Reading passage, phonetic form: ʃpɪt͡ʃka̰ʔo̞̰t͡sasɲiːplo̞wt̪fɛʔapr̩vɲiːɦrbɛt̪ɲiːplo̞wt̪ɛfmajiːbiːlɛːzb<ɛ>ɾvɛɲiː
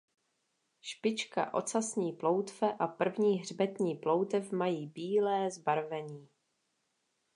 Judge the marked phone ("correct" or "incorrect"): incorrect